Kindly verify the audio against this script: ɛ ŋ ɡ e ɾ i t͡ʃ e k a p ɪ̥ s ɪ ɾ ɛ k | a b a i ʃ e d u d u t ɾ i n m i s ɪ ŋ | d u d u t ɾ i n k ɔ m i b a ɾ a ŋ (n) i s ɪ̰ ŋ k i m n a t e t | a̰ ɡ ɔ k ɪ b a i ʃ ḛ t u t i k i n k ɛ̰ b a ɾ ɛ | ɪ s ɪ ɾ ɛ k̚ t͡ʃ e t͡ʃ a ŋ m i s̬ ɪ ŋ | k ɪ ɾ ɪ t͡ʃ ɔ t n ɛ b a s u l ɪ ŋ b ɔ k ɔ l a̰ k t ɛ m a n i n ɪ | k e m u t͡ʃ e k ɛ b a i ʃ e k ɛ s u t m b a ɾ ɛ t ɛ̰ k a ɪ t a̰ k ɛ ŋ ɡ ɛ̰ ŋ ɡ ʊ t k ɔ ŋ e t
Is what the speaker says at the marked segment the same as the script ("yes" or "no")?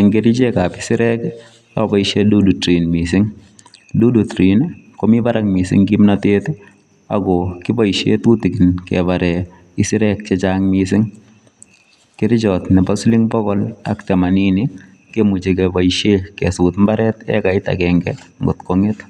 no